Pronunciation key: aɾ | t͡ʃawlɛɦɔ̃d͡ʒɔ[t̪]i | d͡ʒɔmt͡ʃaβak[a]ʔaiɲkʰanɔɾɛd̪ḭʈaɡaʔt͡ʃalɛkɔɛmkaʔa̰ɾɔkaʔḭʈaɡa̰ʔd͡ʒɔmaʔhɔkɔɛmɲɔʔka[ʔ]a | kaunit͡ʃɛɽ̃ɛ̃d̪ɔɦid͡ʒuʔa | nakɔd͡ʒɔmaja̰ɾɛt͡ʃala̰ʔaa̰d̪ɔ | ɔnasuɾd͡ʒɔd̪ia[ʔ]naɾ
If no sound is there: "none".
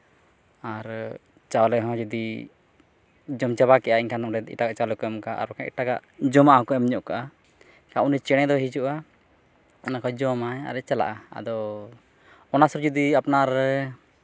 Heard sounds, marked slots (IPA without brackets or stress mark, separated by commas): d̪, ɛ, ʔ, p